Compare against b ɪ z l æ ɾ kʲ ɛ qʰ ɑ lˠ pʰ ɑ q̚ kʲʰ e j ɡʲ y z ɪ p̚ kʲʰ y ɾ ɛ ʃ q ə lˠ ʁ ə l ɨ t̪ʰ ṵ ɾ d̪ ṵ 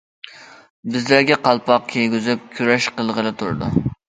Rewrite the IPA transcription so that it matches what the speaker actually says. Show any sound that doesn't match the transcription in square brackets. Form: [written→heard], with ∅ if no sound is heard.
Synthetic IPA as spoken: b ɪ z l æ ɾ [kʲ→ɡʲ] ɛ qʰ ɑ lˠ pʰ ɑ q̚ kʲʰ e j ɡʲ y z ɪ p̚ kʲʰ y ɾ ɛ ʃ q ə lˠ ʁ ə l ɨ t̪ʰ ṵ ɾ d̪ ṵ